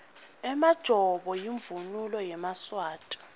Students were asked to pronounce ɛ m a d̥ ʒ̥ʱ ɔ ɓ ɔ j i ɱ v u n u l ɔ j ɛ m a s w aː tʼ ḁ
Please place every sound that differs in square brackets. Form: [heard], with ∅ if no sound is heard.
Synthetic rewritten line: ɛ m a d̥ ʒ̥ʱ ɔ ɓ ɔ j i ɱ v u n u l ɔ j ɛ m a s w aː tʼ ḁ